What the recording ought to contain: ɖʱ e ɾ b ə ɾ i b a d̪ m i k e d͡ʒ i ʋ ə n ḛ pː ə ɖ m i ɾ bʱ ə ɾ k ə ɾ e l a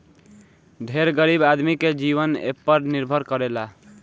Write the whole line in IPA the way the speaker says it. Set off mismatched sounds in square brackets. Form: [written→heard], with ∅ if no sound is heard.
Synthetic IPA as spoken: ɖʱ e ɾ [b→ɡ] ə ɾ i b a d̪ m i k e d͡ʒ i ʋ ə n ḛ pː ə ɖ [m→n] i ɾ bʱ ə ɾ k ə ɾ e l a